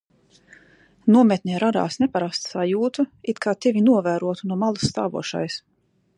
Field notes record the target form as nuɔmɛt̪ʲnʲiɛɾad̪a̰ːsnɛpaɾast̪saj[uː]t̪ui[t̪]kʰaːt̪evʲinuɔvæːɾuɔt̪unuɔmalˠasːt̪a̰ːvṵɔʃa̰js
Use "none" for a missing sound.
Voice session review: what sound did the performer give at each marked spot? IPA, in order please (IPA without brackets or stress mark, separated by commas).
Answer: uː, t̪